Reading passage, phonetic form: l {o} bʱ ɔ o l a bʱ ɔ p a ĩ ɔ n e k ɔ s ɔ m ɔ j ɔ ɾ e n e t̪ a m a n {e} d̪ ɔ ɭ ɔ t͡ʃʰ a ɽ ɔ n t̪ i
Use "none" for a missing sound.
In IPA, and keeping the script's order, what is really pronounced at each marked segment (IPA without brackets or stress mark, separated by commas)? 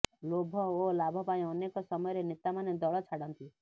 o, e